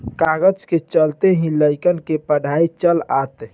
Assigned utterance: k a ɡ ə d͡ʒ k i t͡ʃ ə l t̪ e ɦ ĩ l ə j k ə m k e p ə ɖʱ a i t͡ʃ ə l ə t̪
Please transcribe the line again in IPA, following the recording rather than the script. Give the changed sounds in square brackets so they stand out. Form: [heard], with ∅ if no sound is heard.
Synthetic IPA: k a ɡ ə d͡ʒ k [e] t͡ʃ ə l t̪ e ɦ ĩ l ə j k ə [n] k e p ə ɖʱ a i t͡ʃ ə l [a] t̪